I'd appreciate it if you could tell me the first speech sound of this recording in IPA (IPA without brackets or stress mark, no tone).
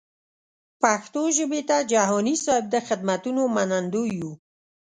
p